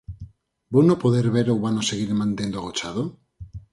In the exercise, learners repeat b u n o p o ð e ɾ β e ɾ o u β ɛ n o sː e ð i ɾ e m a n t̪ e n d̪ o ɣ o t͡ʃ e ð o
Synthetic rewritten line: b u n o p o ð e ɾ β e ɾ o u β a n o s e ɣ i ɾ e m a n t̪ e n d̪ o ɣ o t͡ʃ a ð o